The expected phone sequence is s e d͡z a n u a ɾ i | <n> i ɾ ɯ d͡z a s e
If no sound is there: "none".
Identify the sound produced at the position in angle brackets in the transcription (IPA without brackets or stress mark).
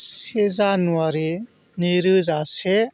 n